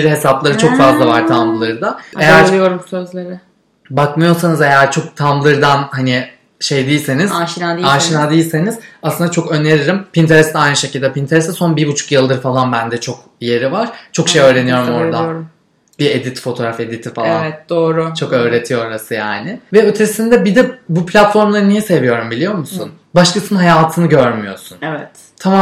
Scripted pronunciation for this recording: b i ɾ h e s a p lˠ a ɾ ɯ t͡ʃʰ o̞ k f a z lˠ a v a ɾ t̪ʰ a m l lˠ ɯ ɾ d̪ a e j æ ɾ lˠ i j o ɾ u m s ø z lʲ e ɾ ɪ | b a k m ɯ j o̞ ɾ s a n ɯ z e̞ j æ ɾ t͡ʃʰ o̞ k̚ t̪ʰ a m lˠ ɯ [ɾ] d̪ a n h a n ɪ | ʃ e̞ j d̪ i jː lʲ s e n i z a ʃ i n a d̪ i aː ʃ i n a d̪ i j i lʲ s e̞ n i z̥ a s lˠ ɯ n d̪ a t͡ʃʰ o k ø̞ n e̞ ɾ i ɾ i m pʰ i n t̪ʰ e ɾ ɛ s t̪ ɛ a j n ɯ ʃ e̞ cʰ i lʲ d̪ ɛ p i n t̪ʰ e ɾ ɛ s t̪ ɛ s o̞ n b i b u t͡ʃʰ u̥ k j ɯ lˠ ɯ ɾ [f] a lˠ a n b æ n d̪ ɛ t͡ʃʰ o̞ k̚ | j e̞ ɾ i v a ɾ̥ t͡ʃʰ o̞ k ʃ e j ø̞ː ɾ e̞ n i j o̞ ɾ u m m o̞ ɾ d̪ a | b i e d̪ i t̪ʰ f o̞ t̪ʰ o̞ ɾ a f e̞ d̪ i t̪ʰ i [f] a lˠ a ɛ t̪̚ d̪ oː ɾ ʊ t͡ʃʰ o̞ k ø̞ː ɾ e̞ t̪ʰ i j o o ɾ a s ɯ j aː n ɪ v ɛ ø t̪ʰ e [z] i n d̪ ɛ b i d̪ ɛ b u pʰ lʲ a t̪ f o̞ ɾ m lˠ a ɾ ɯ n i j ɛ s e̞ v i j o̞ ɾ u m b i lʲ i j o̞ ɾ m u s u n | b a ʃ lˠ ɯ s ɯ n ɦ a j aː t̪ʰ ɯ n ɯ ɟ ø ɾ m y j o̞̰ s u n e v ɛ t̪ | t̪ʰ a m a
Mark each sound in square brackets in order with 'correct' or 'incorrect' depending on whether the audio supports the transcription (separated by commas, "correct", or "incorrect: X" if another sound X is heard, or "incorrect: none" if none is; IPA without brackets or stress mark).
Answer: correct, correct, correct, incorrect: s